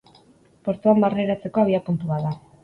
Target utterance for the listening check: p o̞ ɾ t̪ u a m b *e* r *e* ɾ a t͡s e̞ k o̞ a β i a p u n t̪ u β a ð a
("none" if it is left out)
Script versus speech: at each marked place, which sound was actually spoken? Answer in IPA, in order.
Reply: a, e

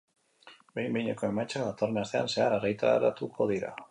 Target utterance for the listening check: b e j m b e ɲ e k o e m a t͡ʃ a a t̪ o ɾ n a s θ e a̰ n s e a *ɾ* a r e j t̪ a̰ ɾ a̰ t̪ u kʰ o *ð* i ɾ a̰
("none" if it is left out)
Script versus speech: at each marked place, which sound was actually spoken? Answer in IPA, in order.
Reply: ɾ, ð

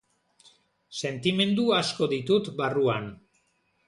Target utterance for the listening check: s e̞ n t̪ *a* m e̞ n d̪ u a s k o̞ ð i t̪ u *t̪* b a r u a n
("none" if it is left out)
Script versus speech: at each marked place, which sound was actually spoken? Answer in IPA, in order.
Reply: i, t̪

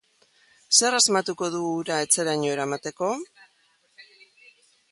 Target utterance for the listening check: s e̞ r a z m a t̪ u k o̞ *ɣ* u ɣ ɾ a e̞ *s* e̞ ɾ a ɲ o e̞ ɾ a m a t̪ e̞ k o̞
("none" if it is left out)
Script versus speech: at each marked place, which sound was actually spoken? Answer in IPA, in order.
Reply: ð, t͡s

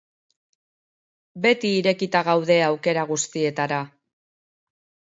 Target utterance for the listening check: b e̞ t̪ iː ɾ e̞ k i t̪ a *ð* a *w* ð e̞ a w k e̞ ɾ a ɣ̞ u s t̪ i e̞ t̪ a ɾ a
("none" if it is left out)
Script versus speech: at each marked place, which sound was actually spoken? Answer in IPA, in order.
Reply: ɣ, w

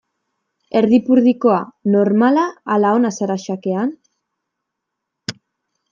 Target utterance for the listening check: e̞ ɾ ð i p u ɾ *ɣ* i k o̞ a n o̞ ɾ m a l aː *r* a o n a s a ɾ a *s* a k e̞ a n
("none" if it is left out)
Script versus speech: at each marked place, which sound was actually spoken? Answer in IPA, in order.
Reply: ð, l, ʃ

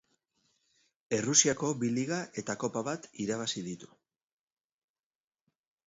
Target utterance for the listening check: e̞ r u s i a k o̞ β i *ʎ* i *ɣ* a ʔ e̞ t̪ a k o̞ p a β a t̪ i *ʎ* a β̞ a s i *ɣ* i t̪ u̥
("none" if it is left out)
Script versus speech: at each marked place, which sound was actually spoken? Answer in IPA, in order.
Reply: l, ɣ, ɾ, ð

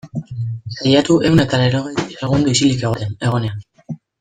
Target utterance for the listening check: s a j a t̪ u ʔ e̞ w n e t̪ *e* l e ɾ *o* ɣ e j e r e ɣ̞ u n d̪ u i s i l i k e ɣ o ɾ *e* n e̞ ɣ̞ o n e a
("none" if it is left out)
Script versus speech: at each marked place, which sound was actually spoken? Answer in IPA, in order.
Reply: a, o, e

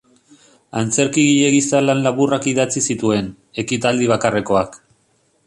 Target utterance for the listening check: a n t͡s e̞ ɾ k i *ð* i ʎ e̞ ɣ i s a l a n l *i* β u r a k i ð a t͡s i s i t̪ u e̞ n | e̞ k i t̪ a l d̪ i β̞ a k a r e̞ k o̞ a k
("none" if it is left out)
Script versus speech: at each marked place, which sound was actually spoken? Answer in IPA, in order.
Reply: ɣ, a

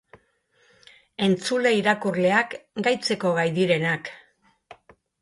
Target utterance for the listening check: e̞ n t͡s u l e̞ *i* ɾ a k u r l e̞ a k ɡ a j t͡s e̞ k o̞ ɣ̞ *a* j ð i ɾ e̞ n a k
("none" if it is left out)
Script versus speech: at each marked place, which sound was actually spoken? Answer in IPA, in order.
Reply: i, a

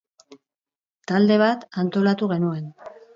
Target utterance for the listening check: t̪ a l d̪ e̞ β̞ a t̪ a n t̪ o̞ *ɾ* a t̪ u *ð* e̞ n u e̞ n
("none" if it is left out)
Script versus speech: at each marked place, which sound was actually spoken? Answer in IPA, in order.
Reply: l, ɣ

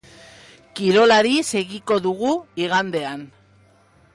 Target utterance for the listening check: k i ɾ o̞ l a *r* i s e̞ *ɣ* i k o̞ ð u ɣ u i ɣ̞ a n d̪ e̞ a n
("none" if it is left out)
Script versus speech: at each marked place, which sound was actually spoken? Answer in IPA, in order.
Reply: ɾ, ɣ

